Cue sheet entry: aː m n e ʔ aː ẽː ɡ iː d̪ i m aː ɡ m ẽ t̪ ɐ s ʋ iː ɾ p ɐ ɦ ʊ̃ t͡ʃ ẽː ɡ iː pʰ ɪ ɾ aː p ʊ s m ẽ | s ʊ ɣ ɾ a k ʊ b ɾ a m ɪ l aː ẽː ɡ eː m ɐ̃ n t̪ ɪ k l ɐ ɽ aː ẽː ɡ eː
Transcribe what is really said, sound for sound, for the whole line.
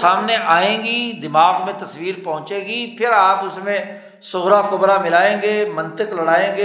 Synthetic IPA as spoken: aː m n e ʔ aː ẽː ɡ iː d̪ ɪ m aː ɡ m ẽ t̪ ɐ s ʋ iː ɾ p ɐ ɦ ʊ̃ t͡ʃ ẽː ɡ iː pʰ ɪ ɾ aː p ʊ s m ẽ | s ʊ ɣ ɾ a k ʊ b ɾ a m ɪ l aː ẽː ɡ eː m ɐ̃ n t̪ ɪ k l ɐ ɽ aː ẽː ɡ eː